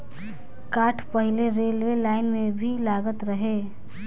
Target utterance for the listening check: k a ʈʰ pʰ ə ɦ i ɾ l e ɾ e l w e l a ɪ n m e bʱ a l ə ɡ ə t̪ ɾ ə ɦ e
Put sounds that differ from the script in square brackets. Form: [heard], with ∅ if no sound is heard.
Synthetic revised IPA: k a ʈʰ [p] ə ɦ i [∅] l e ɾ e l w e l a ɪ n m e bʱ [i] l [a] ɡ ə t̪ ɾ ə ɦ e